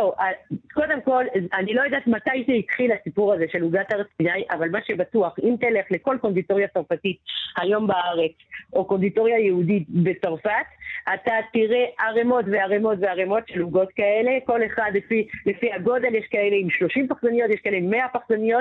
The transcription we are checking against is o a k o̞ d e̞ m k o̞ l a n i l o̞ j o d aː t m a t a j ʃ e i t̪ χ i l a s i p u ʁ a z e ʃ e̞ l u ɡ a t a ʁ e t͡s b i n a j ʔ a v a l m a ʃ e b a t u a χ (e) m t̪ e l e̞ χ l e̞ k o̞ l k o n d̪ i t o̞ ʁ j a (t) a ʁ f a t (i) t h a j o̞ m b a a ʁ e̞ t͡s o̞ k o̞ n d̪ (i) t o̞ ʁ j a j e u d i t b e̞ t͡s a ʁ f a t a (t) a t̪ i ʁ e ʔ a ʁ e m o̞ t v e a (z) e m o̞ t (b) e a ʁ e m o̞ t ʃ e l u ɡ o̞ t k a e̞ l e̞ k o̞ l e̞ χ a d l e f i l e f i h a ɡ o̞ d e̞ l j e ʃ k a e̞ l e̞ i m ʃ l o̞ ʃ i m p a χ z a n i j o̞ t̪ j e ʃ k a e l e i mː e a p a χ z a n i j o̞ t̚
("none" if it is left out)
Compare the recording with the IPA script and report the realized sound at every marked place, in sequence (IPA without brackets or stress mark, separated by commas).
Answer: i, t͡s, i, i, t, ʁ, v